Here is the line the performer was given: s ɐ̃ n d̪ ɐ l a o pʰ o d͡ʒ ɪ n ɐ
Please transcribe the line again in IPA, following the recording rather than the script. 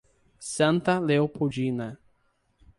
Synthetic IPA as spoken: s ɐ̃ n t̪ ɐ l e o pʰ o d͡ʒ i n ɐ